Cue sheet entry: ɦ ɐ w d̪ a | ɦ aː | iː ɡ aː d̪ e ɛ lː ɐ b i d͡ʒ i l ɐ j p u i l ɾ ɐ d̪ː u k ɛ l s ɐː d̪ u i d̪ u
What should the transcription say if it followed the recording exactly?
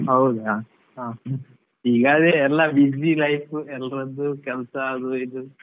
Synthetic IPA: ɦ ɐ w d̪ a | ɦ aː | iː ɡ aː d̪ e ɛ lː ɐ b i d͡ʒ i l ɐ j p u ɛ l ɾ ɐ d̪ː u k ɛ l s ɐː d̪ u i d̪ u